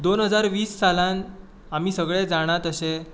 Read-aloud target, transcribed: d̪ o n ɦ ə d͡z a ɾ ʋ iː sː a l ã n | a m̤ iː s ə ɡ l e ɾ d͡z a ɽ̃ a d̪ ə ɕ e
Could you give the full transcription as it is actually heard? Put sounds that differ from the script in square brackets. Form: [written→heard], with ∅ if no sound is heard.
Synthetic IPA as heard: d̪ o n ɦ ə d͡z a ɾ ʋ iː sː a l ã n | a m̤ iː s ə ɡ [l→ɭ] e [ɾ→∅] d͡z a ɽ̃ a [d̪→t̪] ə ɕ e